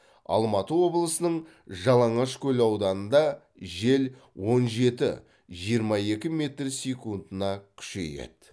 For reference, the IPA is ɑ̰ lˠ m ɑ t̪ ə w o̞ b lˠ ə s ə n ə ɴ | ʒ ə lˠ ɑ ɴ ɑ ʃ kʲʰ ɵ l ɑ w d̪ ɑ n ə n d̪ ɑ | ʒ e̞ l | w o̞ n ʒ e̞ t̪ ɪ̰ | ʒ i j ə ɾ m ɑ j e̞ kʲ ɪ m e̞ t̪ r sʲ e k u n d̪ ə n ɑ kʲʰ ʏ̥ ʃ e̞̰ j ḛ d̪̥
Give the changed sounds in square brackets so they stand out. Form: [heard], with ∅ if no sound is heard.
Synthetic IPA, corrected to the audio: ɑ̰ lˠ m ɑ t̪ ə w o̞ b lˠ ə s ə n ə ɴ | ʒ [ɑ] lˠ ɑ ɴ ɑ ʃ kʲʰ ɵ l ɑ w d̪ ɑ n ə n d̪ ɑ | ʒ e̞ l | w o̞ n ʒ e̞ t̪ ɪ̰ | ʒ i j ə ɾ m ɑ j e̞ kʲ ɪ m e̞ t̪ r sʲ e k u n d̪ ə n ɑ kʲʰ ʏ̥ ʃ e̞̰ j ḛ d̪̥

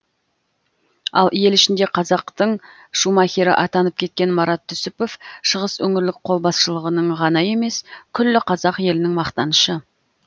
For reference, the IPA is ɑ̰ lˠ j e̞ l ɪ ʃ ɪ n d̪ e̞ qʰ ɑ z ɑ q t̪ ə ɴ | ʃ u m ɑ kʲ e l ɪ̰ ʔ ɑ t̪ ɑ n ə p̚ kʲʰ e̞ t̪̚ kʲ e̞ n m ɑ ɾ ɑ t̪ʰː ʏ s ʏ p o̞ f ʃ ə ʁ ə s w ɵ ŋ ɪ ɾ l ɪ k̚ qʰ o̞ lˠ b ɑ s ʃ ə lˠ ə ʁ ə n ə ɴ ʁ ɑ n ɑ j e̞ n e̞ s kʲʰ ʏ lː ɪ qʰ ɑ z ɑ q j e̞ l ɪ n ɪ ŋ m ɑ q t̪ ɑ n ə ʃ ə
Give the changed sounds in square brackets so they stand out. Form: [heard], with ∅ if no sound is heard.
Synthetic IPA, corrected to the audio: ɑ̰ lˠ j e̞ l ɪ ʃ ɪ n d̪ e̞ qʰ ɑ z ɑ q t̪ ə ɴ | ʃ u m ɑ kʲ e [ɾ] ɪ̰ ʔ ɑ t̪ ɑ n ə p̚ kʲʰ e̞ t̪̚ kʲ e̞ n m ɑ ɾ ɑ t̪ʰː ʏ s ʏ p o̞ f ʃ ə ʁ ə s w ɵ ŋ ɪ ɾ l ɪ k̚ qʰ o̞ lˠ b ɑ s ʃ ə lˠ ə ʁ ə n ə ɴ ʁ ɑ n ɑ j e̞ [m] e̞ s kʲʰ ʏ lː ɪ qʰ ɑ z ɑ q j e̞ l ɪ n ɪ ŋ m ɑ q t̪ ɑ n ə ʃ ə

